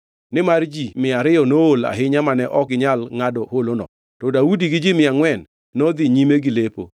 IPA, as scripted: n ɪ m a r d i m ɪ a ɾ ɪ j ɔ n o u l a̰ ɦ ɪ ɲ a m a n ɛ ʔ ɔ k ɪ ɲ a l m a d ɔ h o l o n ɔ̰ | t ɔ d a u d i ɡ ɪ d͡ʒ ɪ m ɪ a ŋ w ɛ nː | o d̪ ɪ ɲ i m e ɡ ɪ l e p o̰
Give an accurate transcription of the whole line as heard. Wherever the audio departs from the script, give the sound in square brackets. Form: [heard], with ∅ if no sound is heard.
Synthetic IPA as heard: n ɪ m a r [d͡ʒ] i m ɪ a ɾ ɪ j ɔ n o [o] l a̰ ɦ ɪ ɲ a m a n ɛ ʔ ɔ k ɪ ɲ a l [ŋ] a d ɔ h o l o n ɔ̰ | t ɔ d a u d i ɡ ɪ d͡ʒ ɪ m ɪ a ŋ w ɛ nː | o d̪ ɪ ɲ i m e ɡ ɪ l e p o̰

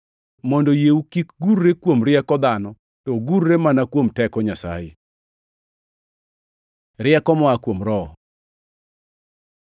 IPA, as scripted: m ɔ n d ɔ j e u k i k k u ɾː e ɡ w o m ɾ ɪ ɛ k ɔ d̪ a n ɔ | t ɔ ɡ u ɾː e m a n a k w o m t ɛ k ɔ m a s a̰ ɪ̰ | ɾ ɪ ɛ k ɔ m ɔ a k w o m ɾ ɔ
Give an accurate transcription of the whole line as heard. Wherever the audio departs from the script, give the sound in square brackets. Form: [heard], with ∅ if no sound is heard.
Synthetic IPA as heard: m ɔ n d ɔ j e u k i k [ɡ] u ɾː e [k] w o m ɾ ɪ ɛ k ɔ d̪ a n ɔ | t ɔ ɡ u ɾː e m a n a k w o m t ɛ k ɔ [ɲ] a s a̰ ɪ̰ | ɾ ɪ ɛ k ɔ m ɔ a k w o m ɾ ɔ

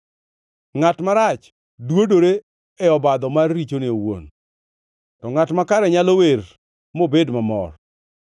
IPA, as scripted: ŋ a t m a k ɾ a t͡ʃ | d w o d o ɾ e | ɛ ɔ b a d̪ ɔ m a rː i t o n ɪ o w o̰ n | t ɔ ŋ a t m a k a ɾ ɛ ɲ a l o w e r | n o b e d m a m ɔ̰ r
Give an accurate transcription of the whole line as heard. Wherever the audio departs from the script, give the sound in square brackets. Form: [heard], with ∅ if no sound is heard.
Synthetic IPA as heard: ŋ a t m a [∅] ɾ a t͡ʃ | d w o d o ɾ e | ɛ ɔ b a d̪ ɔ m a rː i [t͡ʃ] o n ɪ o w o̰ n | t ɔ ŋ a t m a k a ɾ ɛ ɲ a l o w e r | [m] o b e d m a m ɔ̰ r

